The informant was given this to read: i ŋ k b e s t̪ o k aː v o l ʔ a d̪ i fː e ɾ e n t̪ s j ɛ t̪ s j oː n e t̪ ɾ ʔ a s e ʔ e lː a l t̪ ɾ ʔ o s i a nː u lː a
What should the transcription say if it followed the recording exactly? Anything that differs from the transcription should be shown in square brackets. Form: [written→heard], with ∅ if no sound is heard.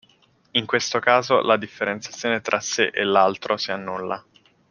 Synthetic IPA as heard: i ŋ k [b→w] e s t̪ o k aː [v→z] o l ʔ a d̪ i fː e ɾ e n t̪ s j [ɛ→a] t̪ [s→sː] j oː n e t̪ ɾ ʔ a s e ʔ e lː a l t̪ ɾ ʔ o s i a nː u lː a

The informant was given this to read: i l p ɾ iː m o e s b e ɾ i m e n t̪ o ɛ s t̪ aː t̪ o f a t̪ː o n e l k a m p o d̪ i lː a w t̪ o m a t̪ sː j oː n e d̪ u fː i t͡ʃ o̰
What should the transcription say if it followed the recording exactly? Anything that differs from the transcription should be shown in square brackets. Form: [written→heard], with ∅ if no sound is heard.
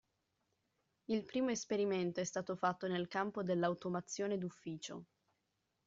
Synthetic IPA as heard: i l p ɾ iː m o e s [b→p] e ɾ i m e n t̪ o ɛ s t̪ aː t̪ o f a t̪ː o n e l k a m p o d̪ [i→e] lː a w t̪ o m a t̪ sː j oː n e d̪ u fː [i→iː] t͡ʃ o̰

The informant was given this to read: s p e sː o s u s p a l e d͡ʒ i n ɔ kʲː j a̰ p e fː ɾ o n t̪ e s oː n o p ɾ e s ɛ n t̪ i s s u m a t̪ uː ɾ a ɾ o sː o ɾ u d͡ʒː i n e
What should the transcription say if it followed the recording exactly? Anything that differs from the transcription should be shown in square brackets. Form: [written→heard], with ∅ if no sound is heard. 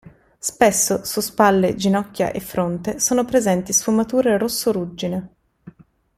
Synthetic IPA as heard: s p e sː o s u s p a [l→lː] e d͡ʒ i n ɔ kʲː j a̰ [p→ʔ] e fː ɾ o n t̪ e s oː n o p ɾ e [s→z] ɛ n t̪ i s [s→f] u m a t̪ uː ɾ [a→e] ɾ o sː o ɾ u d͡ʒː i n e

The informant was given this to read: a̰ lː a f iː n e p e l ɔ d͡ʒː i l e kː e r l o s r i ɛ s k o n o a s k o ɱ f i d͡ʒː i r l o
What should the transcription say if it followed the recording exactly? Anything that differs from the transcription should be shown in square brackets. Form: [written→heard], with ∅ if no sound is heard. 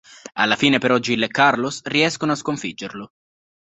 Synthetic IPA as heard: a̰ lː a f iː n e p e [l→ɾ] ɔ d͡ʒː i l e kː [e→a] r l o s r i ɛ s k o n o a s k o ɱ f i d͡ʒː [i→e] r l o

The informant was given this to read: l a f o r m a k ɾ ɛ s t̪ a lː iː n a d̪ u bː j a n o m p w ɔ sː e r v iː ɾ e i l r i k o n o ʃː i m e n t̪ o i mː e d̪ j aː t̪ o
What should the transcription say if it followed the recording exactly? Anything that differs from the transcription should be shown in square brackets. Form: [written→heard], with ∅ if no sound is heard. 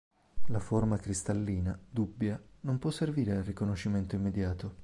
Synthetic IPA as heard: l a f o r m a k ɾ [ɛ→i] s t̪ a lː iː n a d̪ u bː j a n o m p w ɔ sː e r v iː ɾ e [i→a] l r i k o n o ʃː i m e n t̪ o i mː e d̪ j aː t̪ o

